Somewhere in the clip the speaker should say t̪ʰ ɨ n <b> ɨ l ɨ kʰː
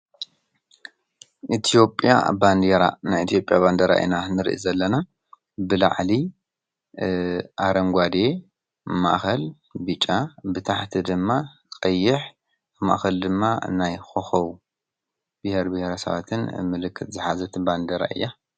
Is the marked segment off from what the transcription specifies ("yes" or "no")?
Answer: yes